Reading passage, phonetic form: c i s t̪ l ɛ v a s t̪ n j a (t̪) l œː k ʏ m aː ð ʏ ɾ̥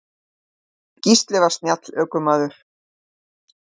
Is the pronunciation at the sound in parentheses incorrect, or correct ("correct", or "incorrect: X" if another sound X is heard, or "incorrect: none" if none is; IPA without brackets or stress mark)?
correct